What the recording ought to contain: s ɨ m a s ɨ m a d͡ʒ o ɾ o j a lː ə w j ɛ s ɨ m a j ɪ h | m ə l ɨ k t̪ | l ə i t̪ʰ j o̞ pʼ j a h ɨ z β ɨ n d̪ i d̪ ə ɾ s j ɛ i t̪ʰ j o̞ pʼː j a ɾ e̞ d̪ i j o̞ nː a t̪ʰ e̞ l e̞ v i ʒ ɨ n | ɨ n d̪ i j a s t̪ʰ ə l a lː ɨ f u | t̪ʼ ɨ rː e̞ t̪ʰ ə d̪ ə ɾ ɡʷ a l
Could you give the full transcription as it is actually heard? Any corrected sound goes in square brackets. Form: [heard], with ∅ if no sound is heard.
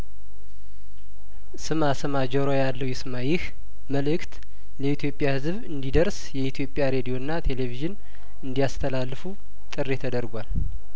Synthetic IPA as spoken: s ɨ m a s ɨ m a d͡ʒ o ɾ o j a lː ə w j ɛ s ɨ m a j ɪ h | m ə l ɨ k t̪ | l ə i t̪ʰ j o̞ pʼ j a h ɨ z β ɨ n d̪ i d̪ ə ɾ s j ɛ i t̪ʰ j o̞ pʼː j a ɾ e̞ d̪ i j o̞ nː a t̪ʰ e̞ l e̞ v i ʒ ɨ n | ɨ n d̪ i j a s t̪ʰ ə l a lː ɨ f u | t̪ʼ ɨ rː e̞ t̪ʰ ə d̪ ə ɾ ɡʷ a l